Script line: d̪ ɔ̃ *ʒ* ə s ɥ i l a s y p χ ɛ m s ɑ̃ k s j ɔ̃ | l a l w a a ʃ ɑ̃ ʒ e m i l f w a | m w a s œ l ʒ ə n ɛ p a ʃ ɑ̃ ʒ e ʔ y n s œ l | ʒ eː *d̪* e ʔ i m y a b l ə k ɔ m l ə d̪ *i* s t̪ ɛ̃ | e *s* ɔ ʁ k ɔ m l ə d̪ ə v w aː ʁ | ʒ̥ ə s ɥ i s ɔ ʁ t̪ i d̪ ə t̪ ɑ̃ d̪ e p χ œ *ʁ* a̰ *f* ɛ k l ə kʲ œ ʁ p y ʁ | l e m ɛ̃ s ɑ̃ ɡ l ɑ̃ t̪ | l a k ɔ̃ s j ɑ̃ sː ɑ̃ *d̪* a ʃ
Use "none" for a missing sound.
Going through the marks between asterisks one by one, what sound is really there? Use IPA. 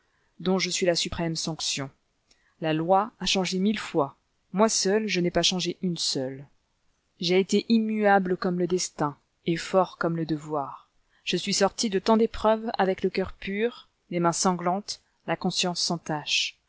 ʒ, t̪, ɛ, f, v, v, t̪

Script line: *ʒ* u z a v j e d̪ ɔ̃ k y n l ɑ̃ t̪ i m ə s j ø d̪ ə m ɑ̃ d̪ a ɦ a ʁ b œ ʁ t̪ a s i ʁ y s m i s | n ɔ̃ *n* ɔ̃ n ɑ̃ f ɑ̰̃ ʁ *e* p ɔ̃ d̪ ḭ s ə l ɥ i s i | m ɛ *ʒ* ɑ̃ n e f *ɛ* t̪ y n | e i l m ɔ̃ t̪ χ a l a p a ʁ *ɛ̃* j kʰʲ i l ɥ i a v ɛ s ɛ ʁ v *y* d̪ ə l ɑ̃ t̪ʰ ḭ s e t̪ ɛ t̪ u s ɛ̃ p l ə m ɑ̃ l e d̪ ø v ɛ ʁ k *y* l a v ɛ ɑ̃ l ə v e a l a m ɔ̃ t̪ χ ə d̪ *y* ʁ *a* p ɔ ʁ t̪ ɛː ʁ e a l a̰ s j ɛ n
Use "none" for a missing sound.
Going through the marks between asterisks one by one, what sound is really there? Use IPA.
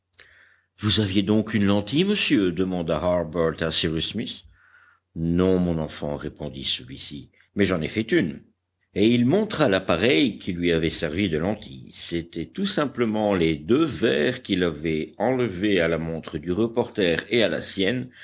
v, m, e, ʒ, ɛ, ɛ, i, i, y, ə

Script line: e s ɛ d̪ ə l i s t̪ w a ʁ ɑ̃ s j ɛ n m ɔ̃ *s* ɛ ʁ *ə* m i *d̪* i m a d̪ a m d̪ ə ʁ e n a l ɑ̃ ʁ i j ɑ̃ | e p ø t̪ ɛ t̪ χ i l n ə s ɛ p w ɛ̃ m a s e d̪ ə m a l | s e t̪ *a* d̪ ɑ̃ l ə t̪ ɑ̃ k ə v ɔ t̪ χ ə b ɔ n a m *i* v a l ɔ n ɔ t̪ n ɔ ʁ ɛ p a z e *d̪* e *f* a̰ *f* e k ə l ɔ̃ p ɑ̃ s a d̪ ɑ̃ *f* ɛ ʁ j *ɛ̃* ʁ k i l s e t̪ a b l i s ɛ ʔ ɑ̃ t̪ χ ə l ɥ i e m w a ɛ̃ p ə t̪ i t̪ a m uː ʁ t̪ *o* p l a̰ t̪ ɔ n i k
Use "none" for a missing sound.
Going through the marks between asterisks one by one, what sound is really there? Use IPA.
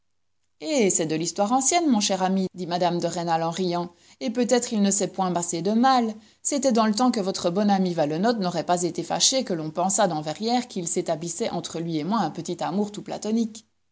ʃ, a, d̪, ɛ, i, t̪, f, ʃ, v, ɛ, u

